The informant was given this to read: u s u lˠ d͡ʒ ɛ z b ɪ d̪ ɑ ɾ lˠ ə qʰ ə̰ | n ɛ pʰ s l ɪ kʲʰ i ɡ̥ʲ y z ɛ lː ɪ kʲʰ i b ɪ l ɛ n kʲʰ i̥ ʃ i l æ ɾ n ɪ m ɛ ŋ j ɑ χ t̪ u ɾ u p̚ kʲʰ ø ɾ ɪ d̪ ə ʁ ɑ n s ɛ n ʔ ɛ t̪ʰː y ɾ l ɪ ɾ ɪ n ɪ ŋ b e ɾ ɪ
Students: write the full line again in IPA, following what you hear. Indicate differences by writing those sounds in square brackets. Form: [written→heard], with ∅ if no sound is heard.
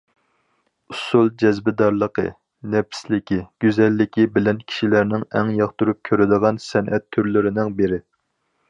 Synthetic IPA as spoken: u s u lˠ d͡ʒ ɛ z b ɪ d̪ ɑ ɾ lˠ ə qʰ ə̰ | n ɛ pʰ s l ɪ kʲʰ i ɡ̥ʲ y z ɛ lː ɪ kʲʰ i b ɪ l ɛ n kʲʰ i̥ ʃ i l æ ɾ n ɪ [m→ŋ] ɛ ŋ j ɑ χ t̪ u ɾ u p̚ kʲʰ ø ɾ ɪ d̪ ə ʁ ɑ n s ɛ n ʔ ɛ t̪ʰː y ɾ l ɪ ɾ ɪ n ɪ ŋ b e ɾ ɪ